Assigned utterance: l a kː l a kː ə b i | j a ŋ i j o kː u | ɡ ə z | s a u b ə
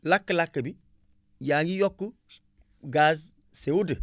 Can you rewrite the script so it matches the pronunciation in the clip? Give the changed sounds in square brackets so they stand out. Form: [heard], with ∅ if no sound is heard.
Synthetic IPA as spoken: l a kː l a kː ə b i | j a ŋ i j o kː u | ɡ [a] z | s [e] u [d] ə